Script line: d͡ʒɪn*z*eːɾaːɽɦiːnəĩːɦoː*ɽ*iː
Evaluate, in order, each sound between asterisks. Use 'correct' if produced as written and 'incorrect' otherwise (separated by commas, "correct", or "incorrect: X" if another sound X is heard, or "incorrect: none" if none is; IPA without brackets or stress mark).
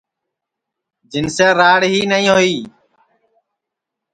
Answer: incorrect: s, incorrect: none